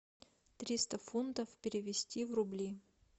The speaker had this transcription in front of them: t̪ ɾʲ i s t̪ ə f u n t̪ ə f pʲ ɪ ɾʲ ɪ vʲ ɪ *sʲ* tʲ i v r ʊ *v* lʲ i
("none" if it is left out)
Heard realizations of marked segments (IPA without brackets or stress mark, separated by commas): sʲ, b